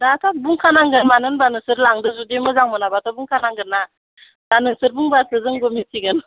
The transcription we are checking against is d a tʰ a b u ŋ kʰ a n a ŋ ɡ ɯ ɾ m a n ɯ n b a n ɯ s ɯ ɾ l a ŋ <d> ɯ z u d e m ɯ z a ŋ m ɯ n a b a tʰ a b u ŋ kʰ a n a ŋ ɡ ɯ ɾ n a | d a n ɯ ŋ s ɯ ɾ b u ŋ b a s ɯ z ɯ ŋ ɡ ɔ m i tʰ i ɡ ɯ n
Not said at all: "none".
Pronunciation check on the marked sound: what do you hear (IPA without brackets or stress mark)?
d